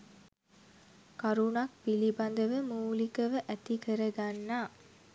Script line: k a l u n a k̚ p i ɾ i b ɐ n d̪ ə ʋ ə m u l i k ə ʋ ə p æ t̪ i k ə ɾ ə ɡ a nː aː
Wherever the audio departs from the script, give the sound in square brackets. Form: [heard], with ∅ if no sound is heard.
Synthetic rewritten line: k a [ɾ] u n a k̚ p i [l] i b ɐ n d̪ ə ʋ ə m [uː] l i k ə ʋ ə [ʔ] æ t̪ i k ə ɾ ə ɡ a nː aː